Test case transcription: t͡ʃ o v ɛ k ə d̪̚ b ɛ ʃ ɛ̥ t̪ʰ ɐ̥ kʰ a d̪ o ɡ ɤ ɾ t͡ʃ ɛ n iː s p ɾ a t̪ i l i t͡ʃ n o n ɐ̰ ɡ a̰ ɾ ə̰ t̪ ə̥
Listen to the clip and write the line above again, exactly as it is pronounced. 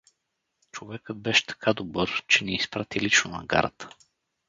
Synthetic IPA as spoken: t͡ʃ o v ɛ k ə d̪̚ b ɛ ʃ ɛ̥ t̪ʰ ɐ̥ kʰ a d̪ o b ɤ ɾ t͡ʃ ɛ n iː s p ɾ a t̪ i l i t͡ʃ n o n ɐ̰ ɡ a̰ ɾ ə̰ t̪ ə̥